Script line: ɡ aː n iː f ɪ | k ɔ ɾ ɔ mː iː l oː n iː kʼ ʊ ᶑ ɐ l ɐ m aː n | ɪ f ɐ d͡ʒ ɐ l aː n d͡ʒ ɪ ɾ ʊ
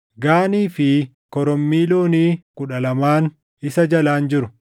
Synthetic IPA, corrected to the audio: ɡ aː n iː f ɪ | k ɔ ɾ ɔ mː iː l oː n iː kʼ ʊ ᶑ ɐ l ɐ m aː n | ɪ s ɐ d͡ʒ ɐ l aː n d͡ʒ ɪ ɾ ʊ

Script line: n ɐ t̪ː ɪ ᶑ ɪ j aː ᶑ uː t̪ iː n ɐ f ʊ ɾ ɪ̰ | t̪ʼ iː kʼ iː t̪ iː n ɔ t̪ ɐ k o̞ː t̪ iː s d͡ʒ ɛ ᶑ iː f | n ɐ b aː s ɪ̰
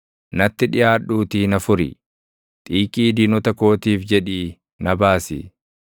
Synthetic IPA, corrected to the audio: n ɐ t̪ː ɪ ᶑ ɪ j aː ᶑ uː t̪ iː n ɐ f ʊ ɾ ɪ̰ | t̪ʼ iː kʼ iː d̪ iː n ɔ t̪ ɐ k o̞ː t̪ iː f d͡ʒ ɛ ᶑ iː | n ɐ b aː s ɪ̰

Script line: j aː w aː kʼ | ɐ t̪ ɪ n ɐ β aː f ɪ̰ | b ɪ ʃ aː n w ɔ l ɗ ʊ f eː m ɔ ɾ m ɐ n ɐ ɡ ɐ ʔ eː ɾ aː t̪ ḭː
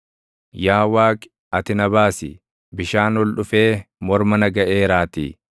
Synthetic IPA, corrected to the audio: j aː w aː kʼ | ɐ t̪ ɪ n ɐ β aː s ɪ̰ | b ɪ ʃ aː n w ɔ l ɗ ʊ f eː m ɔ ɾ m ɐ n ɐ ɡ ɐ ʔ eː ɾ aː t̪ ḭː

